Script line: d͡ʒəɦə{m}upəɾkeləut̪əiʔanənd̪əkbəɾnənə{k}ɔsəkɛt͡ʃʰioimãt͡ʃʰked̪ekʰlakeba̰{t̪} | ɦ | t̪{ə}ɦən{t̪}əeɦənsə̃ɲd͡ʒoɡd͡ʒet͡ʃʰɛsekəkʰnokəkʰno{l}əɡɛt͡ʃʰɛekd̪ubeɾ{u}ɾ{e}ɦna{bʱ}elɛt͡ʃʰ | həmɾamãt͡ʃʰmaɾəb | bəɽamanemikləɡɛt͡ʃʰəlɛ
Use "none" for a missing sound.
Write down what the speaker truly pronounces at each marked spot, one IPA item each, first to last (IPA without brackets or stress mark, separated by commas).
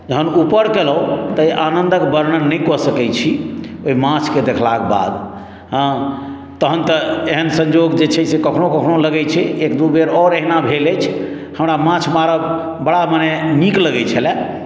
n, k, d̪, ə, t̪, l, ɔ, e, bʱ